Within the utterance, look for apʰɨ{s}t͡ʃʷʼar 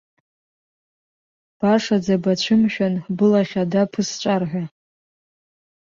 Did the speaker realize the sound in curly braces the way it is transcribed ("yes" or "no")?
yes